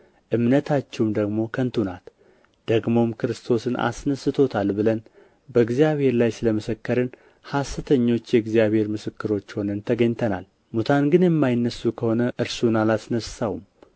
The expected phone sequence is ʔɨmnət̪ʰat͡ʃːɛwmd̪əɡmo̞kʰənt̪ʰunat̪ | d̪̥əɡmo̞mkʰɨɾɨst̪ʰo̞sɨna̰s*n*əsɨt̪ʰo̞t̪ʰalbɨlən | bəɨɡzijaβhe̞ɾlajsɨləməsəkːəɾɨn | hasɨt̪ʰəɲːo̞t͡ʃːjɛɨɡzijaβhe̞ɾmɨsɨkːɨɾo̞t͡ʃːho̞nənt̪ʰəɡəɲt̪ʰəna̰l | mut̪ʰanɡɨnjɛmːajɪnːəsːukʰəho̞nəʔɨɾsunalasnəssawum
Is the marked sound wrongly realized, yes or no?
no